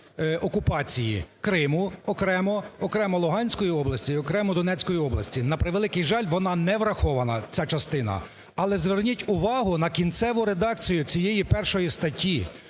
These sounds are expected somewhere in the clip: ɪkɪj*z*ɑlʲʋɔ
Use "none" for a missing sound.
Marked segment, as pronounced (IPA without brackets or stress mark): ʒ